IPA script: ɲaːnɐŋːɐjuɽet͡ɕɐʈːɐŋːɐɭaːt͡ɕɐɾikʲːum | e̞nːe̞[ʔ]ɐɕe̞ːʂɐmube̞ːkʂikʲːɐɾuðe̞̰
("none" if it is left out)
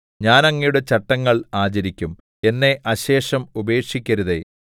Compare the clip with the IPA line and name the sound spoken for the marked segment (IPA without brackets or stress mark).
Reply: ʔ